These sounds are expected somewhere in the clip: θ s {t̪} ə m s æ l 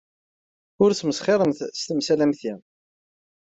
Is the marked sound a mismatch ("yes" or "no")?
no